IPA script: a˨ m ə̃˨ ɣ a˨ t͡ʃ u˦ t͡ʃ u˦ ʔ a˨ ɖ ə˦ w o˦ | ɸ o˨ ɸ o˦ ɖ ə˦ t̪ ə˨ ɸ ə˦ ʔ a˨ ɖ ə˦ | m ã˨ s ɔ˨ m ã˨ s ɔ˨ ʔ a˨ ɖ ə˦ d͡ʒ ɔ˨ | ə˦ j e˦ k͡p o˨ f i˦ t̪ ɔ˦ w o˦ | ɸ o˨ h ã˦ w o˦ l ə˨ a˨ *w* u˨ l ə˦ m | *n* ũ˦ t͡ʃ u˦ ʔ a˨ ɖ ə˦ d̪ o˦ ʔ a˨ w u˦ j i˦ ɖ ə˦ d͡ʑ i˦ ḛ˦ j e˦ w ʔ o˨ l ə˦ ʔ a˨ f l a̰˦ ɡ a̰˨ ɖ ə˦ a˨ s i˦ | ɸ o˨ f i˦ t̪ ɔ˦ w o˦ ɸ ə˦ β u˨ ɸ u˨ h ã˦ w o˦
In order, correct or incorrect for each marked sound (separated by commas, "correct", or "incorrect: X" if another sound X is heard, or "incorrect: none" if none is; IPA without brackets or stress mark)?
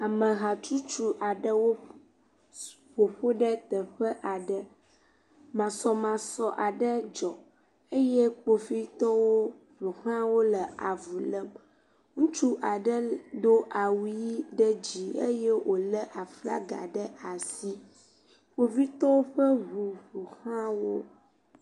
incorrect: v, incorrect: ŋ